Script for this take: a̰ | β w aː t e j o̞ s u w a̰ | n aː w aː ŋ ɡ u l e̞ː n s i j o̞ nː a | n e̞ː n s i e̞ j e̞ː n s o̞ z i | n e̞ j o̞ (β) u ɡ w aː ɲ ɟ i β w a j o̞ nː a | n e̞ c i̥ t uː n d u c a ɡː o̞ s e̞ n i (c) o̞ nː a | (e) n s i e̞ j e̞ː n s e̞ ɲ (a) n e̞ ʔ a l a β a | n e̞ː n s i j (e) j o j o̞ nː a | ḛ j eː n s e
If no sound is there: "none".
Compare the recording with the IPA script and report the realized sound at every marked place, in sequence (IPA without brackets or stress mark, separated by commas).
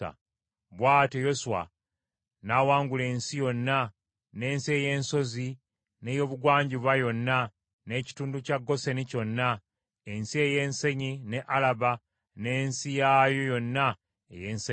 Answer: β, c, e, i, a